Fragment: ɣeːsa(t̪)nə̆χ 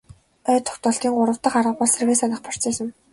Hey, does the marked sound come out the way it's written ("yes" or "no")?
no